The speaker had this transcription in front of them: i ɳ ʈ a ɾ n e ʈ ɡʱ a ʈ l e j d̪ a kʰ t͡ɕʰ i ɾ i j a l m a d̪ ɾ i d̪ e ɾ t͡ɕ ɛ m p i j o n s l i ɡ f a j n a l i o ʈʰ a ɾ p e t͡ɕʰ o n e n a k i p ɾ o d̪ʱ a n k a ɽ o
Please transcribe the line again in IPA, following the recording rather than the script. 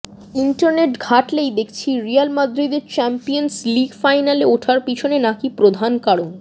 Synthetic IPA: i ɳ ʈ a ɾ n e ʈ ɡʱ a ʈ l e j d̪ e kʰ t͡ɕʰ i ɾ i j a l m a d̪ ɾ i d̪ e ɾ t͡ɕ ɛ m p i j o n s l i ɡ f a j n a l e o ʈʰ a ɾ p i t͡ɕʰ o n e n a k i p ɾ o d̪ʱ a n k a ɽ o

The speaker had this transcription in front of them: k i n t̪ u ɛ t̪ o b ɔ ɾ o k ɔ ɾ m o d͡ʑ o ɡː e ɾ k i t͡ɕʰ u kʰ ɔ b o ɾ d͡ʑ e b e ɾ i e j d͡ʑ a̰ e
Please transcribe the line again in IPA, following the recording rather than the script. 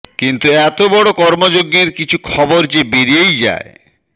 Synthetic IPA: k i n t̪ u ɛ t̪ o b ɔ ɽ o k ɔ ɾ m o d͡ʑ o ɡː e ɾ k i t͡ɕʰ u kʰ ɔ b o ɾ d͡ʑ e b e ɾ i e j d͡ʑ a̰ e

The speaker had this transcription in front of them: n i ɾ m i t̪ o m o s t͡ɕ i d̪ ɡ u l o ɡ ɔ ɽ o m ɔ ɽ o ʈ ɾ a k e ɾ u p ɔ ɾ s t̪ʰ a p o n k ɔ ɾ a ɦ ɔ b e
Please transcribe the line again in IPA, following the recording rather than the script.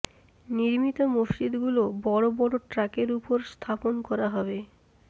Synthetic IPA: n i ɾ m i t̪ o m o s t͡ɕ i d̪ ɡ u l o b ɔ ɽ o b ɔ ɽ o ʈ ɾ a k e ɾ u p o ɾ s t̪ʰ a p o n k ɔ ɾ a ɦ ɔ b e

